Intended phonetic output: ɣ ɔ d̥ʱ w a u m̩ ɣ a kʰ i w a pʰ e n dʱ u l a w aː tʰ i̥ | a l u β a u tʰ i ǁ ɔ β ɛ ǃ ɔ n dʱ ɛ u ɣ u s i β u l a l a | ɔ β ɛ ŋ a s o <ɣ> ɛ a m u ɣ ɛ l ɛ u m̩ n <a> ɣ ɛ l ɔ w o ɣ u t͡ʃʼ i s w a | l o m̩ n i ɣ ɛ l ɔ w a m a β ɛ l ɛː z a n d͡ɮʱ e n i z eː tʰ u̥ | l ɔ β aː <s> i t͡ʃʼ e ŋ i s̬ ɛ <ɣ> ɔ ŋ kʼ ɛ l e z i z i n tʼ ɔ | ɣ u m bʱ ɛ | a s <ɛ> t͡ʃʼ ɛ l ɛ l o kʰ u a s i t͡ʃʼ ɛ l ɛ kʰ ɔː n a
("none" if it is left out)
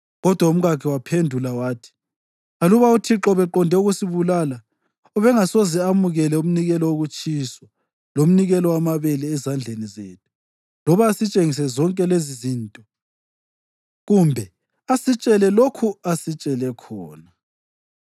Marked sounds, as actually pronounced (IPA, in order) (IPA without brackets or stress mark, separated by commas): z, i, s, z, i